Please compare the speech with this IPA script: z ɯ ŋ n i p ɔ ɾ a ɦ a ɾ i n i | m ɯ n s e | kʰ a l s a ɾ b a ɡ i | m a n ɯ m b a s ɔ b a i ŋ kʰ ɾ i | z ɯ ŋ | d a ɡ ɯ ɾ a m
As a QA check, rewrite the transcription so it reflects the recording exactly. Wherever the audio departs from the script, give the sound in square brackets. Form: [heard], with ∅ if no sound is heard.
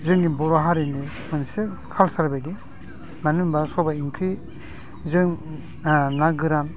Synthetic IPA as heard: z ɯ ŋ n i [b] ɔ ɾ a ɦ a ɾ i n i | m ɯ n s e | kʰ a l s a ɾ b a ɡ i | m a n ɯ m b a s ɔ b a i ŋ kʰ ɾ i | z ɯ ŋ | [n] a ɡ ɯ ɾ a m